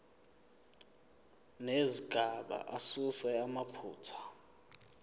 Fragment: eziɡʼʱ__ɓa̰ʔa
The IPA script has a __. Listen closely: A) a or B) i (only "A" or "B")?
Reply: A